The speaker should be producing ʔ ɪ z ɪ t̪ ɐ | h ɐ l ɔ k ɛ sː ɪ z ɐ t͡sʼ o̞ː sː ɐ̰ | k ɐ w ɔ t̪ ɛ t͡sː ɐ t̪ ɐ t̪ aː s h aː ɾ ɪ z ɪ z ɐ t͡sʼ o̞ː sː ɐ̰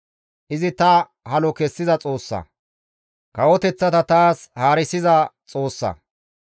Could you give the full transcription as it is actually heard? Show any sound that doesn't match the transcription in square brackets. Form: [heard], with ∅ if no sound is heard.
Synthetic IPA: ʔ ɪ z ɪ t̪ ɐ | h ɐ l ɔ k ɛ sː ɪ z ɐ t͡sʼ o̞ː sː ɐ̰ | k ɐ w ɔ t̪ ɛ t͡sː ɐ t̪ ɐ t̪ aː s h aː ɾ ɪ [s] ɪ z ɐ t͡sʼ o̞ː sː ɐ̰